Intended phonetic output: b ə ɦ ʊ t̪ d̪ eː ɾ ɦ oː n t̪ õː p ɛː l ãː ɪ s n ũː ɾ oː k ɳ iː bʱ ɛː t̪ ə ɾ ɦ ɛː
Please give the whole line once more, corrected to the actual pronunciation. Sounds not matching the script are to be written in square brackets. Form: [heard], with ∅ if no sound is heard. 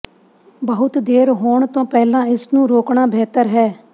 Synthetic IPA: b ə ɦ ʊ t̪ d̪ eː ɾ ɦ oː [ɳ] t̪ õː p ɛː l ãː ɪ s n ũː ɾ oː k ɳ [aː] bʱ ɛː t̪ ə ɾ ɦ ɛː